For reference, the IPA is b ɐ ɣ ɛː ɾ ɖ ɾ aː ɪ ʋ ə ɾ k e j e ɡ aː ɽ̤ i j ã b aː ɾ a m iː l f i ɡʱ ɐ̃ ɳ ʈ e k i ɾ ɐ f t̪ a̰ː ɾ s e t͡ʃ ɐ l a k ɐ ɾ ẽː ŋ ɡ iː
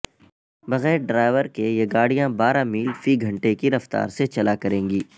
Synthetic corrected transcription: b ɐ ɣ ɛː ɾ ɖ ɾ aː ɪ ʋ ə ɾ k e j e ɡ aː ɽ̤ i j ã b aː ɾ a m iː l f i ɡʱ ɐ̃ ɳ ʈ e k i ɾ ɐ f t̪ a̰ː ɾ s e t͡ʃ ɐ l a k ɐ ɾ ẽː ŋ ɡ iː